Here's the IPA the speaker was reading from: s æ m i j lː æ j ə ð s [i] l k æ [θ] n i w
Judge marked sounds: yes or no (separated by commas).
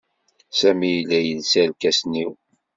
no, no